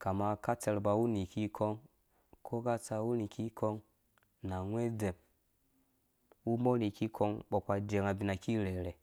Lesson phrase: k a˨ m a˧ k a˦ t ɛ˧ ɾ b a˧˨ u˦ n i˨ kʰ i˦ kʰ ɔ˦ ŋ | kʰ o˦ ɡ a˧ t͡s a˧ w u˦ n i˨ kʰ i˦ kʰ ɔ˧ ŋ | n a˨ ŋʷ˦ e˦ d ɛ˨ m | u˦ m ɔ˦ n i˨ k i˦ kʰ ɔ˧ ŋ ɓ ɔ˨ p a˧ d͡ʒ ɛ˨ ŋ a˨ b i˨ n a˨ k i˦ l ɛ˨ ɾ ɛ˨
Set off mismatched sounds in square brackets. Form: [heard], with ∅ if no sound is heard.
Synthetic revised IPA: k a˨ m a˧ k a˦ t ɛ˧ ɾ b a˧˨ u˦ n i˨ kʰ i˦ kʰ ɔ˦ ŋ | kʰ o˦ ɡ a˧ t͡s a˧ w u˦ n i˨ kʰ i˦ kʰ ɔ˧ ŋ | n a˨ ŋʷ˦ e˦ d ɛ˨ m | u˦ m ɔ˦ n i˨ k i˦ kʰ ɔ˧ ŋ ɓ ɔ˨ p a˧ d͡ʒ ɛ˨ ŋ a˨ b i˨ n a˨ k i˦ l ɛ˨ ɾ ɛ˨